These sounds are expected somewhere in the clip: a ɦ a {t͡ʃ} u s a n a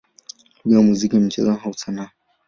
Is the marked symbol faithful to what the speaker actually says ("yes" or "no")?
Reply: no